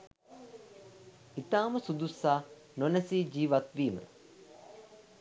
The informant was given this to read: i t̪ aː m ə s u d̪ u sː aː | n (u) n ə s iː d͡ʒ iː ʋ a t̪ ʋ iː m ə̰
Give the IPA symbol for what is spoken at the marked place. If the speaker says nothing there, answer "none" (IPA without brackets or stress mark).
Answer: o